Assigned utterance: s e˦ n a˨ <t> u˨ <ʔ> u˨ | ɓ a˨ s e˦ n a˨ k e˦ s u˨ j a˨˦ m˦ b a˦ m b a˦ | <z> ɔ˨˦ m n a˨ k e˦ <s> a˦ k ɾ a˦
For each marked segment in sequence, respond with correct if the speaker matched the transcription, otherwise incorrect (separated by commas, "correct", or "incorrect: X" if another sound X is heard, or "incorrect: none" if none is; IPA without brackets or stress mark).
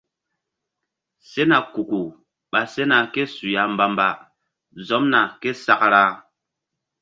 incorrect: k, incorrect: k, correct, correct